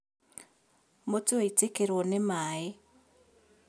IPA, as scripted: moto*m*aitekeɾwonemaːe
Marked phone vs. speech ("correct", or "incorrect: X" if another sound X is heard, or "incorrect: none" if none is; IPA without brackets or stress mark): incorrect: none